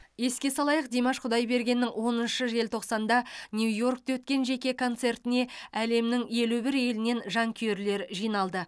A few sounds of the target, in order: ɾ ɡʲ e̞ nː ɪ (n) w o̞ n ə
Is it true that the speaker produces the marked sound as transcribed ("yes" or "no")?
no